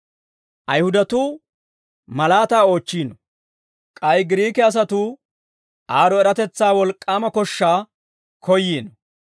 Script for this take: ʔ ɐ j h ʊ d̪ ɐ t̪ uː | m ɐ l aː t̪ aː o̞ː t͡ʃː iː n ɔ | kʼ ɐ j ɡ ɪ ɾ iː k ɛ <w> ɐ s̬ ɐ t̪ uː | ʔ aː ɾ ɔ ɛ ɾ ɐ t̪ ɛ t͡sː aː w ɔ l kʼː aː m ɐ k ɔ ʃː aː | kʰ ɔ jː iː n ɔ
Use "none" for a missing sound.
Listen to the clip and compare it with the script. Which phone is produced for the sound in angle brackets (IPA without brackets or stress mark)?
none